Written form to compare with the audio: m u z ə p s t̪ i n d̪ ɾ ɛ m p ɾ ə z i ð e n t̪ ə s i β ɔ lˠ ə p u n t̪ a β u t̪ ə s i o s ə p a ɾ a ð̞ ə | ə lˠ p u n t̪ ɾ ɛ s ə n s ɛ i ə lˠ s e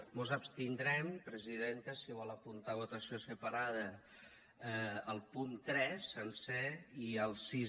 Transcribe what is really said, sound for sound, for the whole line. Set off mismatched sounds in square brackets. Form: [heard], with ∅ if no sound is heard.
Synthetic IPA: m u z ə p s t̪ i n d̪ ɾ ɛ m p ɾ ə z i ð e n t̪ ə s i β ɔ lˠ ə p u n t̪ a β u t̪ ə s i o s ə p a ɾ a ð̞ ə | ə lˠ p u n t̪ ɾ ɛ s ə n s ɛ i ə lˠ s [i]